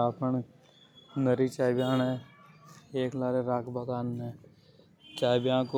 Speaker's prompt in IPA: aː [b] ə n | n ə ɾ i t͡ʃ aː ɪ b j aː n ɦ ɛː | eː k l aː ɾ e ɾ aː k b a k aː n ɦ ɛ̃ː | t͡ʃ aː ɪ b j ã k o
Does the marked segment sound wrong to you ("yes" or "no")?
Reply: yes